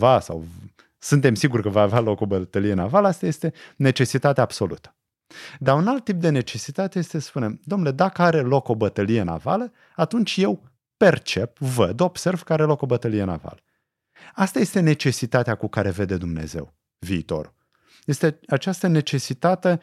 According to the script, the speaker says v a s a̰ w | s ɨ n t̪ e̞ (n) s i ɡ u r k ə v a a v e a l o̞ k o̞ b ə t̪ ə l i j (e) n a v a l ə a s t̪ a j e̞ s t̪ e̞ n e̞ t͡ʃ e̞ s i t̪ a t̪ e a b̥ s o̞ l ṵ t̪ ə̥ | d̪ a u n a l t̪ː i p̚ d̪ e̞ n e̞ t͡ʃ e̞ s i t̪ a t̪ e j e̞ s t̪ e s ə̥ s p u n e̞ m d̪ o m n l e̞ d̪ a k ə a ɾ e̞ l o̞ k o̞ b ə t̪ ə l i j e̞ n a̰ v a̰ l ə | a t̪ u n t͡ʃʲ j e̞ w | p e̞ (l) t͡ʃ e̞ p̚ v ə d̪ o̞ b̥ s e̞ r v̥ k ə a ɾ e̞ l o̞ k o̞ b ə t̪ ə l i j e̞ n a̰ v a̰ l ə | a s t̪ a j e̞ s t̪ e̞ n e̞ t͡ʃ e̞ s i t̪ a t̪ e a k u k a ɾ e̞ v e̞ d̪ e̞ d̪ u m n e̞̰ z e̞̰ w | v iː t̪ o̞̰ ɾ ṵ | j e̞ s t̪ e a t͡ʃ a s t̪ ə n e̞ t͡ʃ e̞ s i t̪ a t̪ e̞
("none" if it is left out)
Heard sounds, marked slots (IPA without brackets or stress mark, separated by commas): m, e, r